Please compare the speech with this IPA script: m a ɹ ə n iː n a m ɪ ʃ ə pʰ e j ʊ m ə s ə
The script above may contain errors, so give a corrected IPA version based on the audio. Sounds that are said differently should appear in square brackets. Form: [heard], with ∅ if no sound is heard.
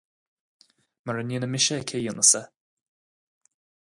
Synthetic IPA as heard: m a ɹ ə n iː n [ə] m ɪ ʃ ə [kʰ] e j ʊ [n] ə s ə

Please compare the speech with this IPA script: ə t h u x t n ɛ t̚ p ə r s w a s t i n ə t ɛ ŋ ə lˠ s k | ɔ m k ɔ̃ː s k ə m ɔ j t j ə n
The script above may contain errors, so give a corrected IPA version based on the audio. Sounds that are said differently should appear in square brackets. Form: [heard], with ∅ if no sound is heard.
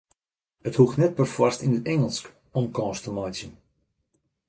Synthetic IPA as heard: ə t h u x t n ɛ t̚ p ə r [f] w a s t i n ə t ɛ ŋ ə lˠ s k | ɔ m k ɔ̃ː s [t] ə m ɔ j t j ə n

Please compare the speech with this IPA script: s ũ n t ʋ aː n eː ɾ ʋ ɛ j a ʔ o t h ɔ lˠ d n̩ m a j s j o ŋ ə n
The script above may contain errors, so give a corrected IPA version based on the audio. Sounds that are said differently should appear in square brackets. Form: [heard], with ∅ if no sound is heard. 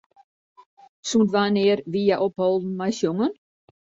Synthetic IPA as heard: s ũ n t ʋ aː n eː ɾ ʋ [i] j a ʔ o [p] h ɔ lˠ d n̩ m a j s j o ŋ ə n

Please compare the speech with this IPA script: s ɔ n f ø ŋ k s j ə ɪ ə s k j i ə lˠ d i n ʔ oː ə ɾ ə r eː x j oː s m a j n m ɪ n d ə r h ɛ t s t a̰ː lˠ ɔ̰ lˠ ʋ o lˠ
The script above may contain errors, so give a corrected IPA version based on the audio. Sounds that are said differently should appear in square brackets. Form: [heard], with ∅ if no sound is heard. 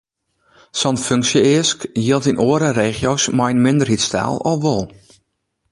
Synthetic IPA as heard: s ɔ n f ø ŋ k s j ə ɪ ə s k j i ə lˠ [t] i n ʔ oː ə ɾ ə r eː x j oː s m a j n m ɪ n d ə r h [i] t s t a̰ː lˠ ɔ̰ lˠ ʋ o lˠ

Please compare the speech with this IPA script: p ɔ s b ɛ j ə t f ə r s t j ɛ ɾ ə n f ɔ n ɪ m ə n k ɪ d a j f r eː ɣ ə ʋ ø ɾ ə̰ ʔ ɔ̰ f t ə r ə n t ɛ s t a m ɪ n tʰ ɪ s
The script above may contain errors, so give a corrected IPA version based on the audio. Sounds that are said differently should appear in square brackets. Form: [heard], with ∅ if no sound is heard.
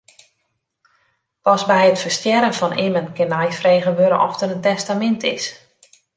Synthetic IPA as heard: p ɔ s b ɛ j ə t f ə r s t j ɛ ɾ ə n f ɔ n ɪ m ə n k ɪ [n] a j f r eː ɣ ə ʋ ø ɾ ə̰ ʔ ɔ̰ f t ə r ə n t ɛ s t a m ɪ n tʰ ɪ s

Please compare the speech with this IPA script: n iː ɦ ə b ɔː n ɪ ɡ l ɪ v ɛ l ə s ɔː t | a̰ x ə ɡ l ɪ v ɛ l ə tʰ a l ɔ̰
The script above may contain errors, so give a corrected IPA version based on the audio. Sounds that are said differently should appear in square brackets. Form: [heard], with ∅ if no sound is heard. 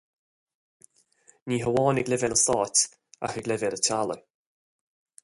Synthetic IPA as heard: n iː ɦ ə [w] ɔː n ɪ ɡ l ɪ v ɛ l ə s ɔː t | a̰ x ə ɡ l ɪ v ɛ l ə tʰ a l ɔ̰

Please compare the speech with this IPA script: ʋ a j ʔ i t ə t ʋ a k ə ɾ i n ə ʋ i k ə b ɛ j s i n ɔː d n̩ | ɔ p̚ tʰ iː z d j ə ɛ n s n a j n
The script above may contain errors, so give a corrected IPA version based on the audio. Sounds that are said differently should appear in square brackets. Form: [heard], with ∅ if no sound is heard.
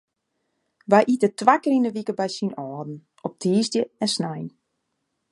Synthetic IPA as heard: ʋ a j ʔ i t ə t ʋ a k ə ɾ i n ə ʋ i k ə b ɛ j s i n ɔː d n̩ | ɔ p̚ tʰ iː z d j ə ɛ n s n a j n

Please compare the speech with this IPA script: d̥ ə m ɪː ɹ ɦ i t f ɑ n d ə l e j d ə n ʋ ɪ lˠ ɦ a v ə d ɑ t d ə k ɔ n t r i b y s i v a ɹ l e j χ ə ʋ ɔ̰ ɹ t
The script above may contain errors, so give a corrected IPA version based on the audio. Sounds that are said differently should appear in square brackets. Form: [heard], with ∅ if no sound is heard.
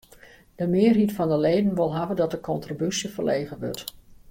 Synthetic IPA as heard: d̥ ə m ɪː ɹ ɦ i t f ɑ n d ə l e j d ə n ʋ ɪ lˠ ɦ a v ə d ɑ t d ə k ɔ n t r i b y s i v [ə] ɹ l e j χ ə ʋ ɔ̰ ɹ t

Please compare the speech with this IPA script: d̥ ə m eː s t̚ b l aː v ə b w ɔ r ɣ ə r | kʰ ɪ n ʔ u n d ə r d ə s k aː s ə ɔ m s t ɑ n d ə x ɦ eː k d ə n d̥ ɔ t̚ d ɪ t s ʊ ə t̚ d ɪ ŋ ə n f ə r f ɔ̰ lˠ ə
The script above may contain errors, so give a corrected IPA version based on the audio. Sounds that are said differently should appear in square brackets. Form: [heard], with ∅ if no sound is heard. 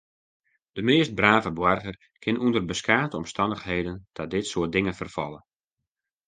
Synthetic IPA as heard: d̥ ə m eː s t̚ b [r] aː v ə b w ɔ r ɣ ə r | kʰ ɪ n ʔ u n d ə r [b] ə s k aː [t] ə ɔ m s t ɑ n d ə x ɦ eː [∅] d ə n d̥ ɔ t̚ d ɪ t s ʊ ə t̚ d ɪ ŋ ə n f ə r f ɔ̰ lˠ ə

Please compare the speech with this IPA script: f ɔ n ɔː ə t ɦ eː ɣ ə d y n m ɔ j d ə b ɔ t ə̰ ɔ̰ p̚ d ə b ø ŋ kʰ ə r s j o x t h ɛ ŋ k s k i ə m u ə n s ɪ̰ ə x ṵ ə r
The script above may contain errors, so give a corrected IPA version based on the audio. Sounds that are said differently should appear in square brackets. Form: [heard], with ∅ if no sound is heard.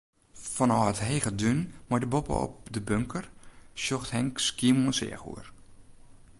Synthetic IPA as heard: f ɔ n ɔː ə t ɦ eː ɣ ə d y n m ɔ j d ə b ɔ [p] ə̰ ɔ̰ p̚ d ə b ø ŋ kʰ ə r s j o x t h ɛ ŋ k s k i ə m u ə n s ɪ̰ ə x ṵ ə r

